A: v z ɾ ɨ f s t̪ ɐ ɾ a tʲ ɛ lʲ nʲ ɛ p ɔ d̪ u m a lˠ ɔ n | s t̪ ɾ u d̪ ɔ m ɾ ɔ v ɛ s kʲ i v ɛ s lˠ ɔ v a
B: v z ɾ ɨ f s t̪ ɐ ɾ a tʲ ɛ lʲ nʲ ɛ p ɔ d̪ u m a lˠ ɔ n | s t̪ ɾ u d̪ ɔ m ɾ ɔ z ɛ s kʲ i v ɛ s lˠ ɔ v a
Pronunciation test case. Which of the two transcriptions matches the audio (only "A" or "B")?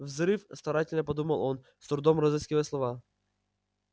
B